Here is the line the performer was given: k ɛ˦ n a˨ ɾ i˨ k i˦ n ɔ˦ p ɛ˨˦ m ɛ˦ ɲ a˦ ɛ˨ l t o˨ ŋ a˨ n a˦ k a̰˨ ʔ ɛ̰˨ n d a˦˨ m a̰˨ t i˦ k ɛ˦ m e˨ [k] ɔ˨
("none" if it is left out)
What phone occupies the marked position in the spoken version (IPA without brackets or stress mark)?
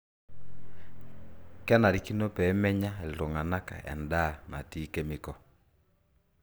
k